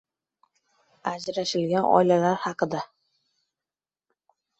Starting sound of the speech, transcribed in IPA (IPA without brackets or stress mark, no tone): a